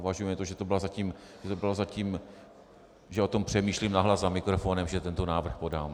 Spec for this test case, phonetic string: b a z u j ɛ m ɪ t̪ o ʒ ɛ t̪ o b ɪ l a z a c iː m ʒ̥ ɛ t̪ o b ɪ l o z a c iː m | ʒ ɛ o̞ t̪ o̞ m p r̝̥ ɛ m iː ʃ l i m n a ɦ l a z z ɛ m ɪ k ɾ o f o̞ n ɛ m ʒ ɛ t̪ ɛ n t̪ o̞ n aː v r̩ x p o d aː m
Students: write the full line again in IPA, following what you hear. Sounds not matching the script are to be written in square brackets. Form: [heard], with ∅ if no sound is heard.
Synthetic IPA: [v] a [ʒ] u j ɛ m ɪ t̪ o ʒ ɛ t̪ o b ɪ l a z a c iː m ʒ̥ ɛ t̪ o b ɪ l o z a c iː m | ʒ ɛ o̞ t̪ o̞ m p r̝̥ ɛ m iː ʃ l i m n a ɦ l a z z [a] m ɪ k ɾ o f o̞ n ɛ m ʒ ɛ t̪ ɛ n t̪ o̞ n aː v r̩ x p o d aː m